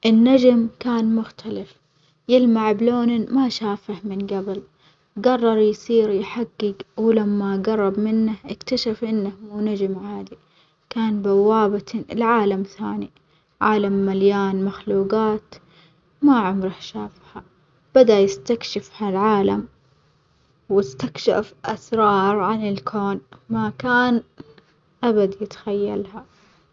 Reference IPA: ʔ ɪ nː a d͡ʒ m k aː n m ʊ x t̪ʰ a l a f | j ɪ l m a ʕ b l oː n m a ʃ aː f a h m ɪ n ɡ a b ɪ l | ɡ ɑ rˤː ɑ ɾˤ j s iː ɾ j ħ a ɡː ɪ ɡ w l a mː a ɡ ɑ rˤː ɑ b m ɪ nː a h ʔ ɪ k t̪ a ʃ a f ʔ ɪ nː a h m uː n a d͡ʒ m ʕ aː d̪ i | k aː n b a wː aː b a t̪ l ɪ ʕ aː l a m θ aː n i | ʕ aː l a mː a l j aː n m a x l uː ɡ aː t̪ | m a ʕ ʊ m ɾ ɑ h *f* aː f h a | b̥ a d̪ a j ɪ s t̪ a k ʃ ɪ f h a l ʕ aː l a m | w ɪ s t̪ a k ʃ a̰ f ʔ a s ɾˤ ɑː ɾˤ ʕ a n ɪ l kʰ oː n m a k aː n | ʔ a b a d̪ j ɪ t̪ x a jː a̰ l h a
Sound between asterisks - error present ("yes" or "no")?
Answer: yes